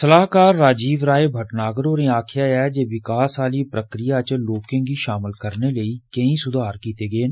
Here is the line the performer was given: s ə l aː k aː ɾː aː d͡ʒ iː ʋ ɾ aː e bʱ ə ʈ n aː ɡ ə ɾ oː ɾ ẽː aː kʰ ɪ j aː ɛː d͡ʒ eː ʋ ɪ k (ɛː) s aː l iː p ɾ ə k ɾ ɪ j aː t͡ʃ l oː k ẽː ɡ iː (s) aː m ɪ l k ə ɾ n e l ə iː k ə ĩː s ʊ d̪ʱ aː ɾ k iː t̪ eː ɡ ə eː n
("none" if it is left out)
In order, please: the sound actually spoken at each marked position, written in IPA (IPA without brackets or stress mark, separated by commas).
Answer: aː, ʃ